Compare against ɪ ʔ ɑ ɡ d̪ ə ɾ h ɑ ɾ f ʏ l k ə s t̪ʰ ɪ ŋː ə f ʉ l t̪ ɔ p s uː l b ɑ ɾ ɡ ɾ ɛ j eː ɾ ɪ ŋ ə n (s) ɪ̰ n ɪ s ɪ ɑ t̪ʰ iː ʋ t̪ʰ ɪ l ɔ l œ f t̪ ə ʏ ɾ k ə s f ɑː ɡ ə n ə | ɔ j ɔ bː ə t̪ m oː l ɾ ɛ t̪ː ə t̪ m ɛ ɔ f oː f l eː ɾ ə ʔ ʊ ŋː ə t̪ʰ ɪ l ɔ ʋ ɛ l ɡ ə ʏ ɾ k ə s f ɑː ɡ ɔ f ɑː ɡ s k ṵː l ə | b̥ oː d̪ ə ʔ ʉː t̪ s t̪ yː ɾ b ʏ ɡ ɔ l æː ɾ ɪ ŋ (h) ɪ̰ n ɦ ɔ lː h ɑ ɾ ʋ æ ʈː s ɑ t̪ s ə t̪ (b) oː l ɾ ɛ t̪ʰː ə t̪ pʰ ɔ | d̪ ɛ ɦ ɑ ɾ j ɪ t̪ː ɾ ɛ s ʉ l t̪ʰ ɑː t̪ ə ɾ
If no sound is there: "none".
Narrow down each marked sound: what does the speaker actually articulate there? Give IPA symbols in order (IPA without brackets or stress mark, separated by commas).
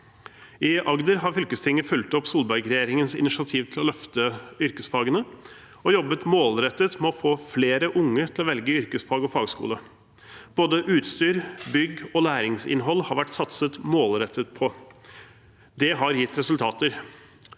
s, s, m